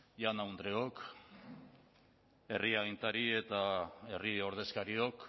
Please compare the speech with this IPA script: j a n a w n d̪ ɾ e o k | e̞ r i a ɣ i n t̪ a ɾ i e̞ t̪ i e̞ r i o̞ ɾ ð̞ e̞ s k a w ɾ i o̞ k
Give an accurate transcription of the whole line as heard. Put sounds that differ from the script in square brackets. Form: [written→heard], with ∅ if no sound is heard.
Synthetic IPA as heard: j a n a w n d̪ ɾ e o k | e̞ r i a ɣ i n t̪ a ɾ i e̞ t̪ [i→a] e̞ r i o̞ ɾ ð̞ e̞ s k a [w→∅] ɾ i o̞ k